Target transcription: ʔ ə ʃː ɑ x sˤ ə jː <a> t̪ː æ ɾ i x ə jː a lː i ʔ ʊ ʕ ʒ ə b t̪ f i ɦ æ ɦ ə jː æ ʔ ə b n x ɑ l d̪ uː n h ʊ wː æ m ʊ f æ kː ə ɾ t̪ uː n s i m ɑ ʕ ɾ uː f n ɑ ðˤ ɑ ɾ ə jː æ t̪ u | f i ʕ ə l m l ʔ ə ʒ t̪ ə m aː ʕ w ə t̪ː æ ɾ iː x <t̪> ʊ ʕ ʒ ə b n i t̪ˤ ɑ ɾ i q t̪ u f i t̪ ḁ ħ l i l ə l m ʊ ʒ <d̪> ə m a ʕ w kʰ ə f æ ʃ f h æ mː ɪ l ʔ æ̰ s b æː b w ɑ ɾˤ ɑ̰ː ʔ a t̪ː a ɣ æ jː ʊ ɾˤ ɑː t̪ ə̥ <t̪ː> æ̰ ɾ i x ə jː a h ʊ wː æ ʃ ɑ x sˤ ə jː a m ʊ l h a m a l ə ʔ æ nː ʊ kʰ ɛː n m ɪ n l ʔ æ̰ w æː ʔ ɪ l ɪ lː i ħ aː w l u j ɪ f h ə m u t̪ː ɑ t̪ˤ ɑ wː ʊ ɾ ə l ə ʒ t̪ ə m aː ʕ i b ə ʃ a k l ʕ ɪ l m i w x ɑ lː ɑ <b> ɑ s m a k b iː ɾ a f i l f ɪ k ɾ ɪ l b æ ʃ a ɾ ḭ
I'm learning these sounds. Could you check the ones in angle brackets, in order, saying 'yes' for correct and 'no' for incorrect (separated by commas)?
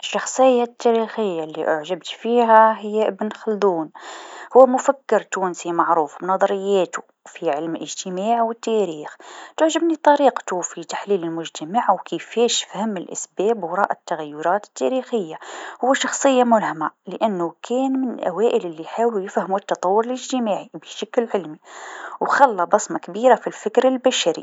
yes, yes, no, yes, yes